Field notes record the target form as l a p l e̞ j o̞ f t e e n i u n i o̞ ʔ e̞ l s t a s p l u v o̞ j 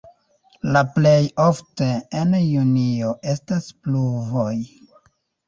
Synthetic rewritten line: l a p l e̞ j o̞ f t e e n j u n i o̞ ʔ e̞ s t a s p l u v o̞ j

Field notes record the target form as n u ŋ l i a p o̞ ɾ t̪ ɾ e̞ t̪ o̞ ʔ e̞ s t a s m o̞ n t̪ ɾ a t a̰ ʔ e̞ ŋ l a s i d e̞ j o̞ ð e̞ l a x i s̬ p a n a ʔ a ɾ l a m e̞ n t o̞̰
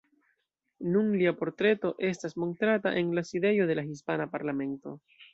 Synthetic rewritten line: n u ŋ l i a p o̞ ɾ t̪ ɾ e̞ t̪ o̞ ʔ e̞ s t a s m o̞ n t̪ ɾ a t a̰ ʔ e̞ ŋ l a s i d e̞ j o̞ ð e̞ l a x i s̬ p a n a p a ɾ l a m e̞ n t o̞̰

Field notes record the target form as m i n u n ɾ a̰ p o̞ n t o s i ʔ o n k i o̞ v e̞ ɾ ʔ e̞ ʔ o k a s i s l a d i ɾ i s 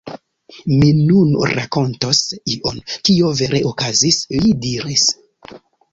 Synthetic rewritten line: m i n u n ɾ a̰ k o̞ n t o s i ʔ o n k i o̞ v e̞ ɾ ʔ e̞ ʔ o k a z i s l i d i ɾ i s

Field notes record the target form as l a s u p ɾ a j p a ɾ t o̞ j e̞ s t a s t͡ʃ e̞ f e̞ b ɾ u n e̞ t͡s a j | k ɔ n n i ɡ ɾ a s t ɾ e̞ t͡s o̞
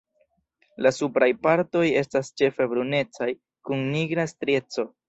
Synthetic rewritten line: l a s u p ɾ a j p a ɾ t o̞ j e̞ s t a s t͡ʃ e̞ f e̞ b ɾ u n e̞ t͡s a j | k u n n i ɡ ɾ a s t ɾ e̞ t͡s o̞

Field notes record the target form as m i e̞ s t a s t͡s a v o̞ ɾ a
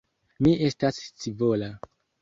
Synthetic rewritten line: m i e̞ s t a s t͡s i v o̞ l a

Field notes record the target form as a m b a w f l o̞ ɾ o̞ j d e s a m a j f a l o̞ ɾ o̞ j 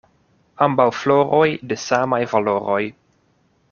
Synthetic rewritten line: a m b a w f l o̞ ɾ o̞ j d e s a m a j v a l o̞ ɾ o̞ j

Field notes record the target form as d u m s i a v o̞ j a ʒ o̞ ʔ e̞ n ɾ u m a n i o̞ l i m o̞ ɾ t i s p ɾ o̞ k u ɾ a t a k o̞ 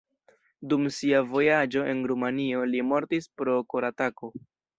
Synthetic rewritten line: d u m s i a v o̞ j a d͡ʒ o̞ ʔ e̞ n ɾ u m a n i o̞ l i m o̞ ɾ t i s p ɾ o̞ k o ɾ a t a k o̞

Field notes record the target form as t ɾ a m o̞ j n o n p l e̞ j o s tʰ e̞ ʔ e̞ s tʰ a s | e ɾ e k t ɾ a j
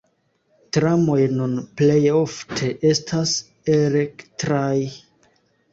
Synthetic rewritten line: t ɾ a m o̞ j n u n p l e̞ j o f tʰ e̞ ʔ e̞ s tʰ a s | e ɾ e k t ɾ a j

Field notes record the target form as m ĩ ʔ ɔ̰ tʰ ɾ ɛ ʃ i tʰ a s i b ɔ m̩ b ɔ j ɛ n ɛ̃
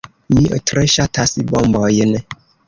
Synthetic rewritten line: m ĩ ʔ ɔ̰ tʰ ɾ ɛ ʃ a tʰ a s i b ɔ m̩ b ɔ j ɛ n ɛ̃

